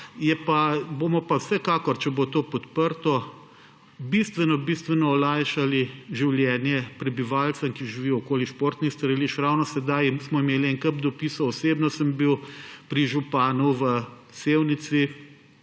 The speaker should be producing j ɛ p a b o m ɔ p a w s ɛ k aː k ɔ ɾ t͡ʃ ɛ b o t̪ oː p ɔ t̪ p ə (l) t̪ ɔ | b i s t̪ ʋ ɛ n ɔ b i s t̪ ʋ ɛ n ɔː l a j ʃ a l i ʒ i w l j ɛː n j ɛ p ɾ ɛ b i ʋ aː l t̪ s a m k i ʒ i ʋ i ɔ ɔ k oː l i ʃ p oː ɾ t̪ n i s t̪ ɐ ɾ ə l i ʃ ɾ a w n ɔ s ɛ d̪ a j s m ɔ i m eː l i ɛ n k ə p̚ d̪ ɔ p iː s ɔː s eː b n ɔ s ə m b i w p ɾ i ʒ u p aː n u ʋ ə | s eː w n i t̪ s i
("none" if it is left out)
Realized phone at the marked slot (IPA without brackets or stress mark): ɾ